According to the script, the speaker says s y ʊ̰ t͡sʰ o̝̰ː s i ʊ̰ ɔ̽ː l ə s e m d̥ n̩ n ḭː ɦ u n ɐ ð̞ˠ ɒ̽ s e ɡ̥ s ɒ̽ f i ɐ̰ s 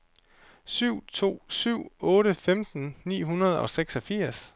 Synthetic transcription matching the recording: s y ʊ̰ t͡sʰ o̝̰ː s y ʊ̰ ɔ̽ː ɾ ə f e m d̥ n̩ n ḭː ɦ u n ɐ ð̞ˠ ɒ̽ s e ɡ̥ s ɒ̽ f i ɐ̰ s